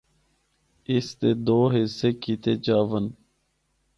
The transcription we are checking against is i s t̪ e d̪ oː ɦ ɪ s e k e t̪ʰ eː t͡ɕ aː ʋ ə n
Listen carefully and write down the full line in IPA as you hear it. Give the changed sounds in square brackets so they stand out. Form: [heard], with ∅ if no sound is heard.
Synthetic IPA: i s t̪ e d̪ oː ɦ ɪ s e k [i] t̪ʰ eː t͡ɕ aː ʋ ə n